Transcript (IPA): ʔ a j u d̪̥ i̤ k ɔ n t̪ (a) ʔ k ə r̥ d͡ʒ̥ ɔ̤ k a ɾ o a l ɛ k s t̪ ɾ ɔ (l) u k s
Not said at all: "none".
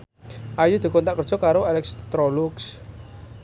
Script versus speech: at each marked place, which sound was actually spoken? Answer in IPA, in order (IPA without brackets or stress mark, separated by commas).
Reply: a, l